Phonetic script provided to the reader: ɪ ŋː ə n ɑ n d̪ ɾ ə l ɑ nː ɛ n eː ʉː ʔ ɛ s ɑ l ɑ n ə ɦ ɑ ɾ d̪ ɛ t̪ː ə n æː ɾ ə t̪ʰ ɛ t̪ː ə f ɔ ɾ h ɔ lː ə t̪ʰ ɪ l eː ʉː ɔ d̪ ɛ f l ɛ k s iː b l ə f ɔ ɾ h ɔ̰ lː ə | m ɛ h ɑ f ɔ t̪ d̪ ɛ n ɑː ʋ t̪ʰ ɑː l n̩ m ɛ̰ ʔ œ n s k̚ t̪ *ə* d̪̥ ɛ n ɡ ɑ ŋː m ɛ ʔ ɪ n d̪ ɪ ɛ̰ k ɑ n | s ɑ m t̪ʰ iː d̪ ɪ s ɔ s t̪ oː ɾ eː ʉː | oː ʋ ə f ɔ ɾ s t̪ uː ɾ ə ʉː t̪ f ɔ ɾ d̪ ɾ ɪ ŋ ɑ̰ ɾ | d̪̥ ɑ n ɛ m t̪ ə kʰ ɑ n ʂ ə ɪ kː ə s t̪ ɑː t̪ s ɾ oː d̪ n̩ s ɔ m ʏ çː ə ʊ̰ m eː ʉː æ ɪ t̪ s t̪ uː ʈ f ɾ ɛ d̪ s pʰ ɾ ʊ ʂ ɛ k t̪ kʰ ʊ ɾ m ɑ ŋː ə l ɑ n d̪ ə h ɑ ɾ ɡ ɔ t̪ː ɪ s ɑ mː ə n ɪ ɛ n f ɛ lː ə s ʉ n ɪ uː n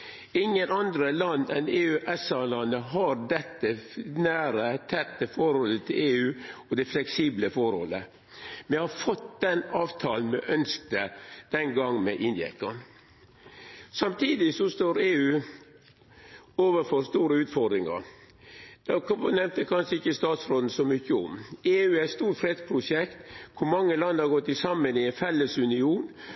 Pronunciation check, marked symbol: correct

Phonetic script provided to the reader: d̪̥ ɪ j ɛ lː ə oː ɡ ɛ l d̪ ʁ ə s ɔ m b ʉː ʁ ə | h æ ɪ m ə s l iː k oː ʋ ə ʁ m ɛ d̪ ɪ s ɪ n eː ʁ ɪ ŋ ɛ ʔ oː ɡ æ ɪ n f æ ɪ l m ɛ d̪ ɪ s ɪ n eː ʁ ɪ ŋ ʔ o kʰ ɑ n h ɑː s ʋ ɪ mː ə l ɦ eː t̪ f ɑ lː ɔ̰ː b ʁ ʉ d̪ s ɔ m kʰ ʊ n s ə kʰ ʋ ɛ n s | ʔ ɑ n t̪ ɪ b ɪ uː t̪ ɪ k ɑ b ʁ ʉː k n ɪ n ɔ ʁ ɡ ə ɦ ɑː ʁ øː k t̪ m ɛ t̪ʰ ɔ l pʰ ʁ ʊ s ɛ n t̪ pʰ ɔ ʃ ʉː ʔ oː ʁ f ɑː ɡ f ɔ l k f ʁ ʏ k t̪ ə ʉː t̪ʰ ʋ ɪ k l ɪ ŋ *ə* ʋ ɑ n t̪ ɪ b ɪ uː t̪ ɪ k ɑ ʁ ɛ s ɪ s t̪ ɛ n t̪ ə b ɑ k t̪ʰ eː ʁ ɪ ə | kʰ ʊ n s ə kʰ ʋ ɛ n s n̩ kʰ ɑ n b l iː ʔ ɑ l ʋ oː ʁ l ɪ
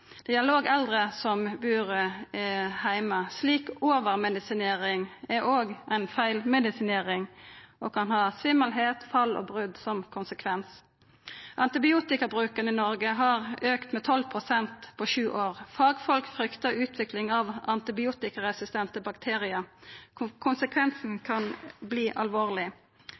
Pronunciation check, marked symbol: incorrect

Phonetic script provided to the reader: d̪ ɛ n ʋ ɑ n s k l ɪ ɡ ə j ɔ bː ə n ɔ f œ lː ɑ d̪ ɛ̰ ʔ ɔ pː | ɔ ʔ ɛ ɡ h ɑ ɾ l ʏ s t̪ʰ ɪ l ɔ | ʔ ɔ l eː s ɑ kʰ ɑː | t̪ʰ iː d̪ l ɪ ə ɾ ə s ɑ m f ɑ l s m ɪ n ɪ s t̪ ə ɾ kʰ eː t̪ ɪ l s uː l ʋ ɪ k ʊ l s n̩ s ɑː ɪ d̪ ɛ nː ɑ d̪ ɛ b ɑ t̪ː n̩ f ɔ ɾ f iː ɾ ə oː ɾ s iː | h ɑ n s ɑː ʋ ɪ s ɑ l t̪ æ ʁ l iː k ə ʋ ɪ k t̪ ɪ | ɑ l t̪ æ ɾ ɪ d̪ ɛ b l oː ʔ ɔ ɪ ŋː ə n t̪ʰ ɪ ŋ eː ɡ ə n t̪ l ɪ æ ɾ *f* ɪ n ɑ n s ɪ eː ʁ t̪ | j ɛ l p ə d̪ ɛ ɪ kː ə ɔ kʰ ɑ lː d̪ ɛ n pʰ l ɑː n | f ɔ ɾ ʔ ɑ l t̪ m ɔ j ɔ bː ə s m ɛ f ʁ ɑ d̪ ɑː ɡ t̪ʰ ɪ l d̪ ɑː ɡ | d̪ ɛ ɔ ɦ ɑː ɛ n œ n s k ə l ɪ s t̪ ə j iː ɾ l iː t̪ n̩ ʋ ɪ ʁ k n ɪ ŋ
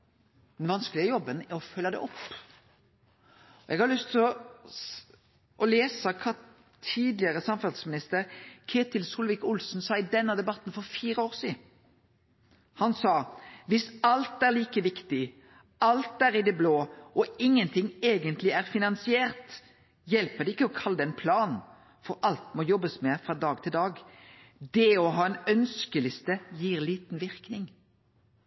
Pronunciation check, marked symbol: correct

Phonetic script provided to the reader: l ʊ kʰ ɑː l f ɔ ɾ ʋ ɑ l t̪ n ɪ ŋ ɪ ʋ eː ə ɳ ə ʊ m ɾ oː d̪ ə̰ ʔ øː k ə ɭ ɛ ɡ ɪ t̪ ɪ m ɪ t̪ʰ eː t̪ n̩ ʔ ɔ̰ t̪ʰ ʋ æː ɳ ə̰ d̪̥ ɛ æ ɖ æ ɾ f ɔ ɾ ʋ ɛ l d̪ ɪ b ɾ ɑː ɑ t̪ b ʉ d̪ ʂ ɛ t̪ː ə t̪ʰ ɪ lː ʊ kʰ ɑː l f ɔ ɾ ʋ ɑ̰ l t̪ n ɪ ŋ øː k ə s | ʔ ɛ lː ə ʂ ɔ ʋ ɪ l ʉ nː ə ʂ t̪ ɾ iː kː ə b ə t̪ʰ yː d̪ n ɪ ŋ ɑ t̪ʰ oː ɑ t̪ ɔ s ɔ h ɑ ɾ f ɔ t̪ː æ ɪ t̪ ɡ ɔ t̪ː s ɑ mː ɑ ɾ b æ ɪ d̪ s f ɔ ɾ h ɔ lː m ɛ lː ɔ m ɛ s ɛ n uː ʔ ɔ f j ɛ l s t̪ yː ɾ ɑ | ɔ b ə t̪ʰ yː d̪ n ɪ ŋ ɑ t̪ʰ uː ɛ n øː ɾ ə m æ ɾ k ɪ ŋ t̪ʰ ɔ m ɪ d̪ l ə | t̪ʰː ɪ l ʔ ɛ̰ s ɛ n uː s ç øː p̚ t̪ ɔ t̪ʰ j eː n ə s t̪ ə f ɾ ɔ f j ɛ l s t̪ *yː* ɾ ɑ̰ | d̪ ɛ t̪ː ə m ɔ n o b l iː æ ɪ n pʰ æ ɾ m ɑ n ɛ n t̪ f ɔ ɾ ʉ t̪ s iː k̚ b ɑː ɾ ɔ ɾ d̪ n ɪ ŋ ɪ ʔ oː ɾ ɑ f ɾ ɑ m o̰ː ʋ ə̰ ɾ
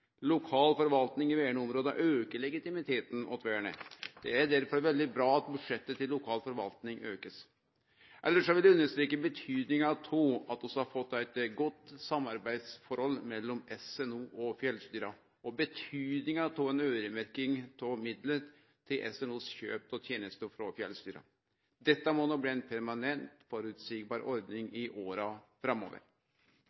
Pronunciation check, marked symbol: correct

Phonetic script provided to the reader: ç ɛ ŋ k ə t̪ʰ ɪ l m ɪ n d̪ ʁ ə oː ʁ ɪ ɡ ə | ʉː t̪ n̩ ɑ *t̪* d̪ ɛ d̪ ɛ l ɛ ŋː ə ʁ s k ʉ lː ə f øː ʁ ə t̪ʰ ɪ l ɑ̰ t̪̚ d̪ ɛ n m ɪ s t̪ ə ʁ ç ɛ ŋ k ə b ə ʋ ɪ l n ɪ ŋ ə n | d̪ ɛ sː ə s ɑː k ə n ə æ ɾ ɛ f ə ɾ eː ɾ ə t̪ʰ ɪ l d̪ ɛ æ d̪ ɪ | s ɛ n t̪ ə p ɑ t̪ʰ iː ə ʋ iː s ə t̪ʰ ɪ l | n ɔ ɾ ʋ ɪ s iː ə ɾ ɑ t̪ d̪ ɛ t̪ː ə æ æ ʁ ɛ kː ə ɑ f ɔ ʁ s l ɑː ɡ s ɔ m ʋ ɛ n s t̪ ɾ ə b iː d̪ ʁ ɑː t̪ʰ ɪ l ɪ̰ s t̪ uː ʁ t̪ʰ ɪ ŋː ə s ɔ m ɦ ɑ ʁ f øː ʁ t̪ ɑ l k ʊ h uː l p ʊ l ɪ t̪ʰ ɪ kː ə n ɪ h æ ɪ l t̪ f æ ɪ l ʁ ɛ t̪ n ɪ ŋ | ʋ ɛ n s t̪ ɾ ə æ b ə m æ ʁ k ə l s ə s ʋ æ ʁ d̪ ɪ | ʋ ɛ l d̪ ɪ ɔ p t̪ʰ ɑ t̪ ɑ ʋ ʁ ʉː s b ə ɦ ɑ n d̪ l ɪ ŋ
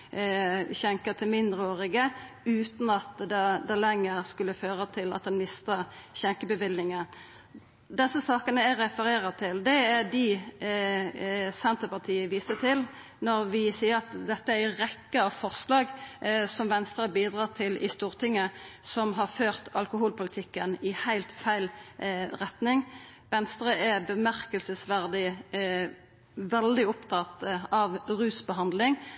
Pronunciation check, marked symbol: correct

